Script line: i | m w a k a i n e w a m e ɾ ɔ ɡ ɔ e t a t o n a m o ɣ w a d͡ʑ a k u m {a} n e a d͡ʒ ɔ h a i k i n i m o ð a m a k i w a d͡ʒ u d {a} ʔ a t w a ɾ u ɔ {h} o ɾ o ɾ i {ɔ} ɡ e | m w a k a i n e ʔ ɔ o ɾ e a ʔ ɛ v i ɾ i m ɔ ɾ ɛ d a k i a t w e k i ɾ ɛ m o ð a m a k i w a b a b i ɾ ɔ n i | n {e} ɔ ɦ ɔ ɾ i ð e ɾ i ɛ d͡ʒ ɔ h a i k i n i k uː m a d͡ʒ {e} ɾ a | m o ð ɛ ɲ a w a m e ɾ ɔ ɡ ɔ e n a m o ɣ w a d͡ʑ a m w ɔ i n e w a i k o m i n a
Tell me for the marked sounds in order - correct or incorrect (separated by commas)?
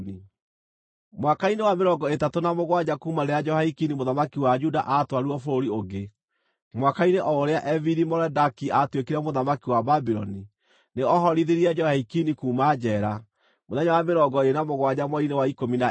correct, correct, incorrect, incorrect, correct, incorrect